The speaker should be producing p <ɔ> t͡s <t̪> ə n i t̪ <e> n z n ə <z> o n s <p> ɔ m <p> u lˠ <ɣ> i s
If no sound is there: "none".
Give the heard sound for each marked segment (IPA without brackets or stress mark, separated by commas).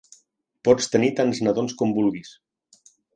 ɔ, t̪, a, ð, k, b, ɣ